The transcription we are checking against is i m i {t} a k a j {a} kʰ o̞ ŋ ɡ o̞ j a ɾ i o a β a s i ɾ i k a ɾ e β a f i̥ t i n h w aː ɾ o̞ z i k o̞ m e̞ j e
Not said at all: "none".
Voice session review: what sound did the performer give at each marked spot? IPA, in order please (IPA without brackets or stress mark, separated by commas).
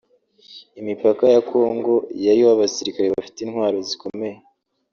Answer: p, a